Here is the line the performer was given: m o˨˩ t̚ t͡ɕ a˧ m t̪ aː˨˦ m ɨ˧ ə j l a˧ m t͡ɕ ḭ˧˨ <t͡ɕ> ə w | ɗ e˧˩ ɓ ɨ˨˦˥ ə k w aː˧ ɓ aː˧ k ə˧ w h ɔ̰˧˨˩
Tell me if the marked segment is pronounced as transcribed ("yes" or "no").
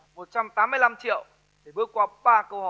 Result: no